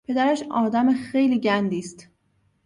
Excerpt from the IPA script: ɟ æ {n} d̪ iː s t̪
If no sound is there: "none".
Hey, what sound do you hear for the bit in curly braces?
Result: n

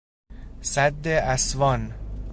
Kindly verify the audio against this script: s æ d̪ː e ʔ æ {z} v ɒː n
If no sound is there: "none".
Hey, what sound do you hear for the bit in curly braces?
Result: s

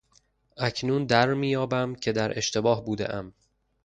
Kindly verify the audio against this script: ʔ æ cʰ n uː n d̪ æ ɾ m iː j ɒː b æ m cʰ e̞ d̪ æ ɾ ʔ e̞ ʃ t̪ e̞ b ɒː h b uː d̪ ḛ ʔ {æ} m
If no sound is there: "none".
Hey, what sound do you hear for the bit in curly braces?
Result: æ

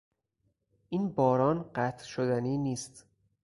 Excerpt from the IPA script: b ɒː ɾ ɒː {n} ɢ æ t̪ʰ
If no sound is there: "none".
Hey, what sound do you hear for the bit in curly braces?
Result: n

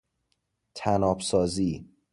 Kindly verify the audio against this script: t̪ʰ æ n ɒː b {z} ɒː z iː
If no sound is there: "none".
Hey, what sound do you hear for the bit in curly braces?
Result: s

